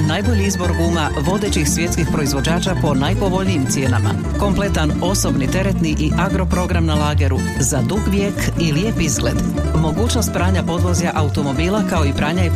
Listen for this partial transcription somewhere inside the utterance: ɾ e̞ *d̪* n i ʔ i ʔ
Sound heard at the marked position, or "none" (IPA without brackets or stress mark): t̪